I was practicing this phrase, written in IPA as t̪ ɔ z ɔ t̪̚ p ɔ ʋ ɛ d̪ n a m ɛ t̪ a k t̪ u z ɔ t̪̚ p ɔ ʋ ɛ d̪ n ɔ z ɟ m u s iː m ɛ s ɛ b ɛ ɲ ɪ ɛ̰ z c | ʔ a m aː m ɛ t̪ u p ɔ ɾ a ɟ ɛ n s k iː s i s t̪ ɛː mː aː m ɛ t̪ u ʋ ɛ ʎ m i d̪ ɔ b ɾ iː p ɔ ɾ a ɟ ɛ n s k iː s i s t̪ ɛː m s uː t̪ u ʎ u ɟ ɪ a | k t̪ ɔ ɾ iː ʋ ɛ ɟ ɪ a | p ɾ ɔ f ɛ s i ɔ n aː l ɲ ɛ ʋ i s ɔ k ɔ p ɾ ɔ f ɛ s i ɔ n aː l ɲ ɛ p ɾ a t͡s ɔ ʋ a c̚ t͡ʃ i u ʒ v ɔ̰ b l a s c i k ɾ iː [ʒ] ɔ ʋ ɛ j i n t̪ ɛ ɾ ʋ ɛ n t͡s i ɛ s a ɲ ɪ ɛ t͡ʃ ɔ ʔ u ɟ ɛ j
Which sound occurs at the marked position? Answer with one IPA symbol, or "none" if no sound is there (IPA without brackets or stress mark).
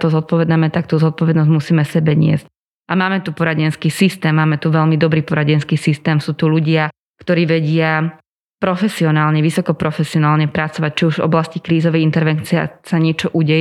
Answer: z